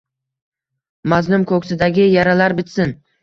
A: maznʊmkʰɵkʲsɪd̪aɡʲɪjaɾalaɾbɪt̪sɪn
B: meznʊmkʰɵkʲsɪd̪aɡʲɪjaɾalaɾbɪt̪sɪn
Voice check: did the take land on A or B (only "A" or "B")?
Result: A